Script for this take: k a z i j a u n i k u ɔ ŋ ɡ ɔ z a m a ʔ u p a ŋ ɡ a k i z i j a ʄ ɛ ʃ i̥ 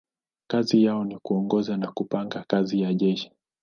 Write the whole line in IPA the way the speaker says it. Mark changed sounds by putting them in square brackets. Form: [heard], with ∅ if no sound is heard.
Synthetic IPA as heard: k a z i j a [ɔ] n i k u ɔ ŋ ɡ ɔ z a [n] a [k] u p a ŋ ɡ a k [a] z i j a ʄ ɛ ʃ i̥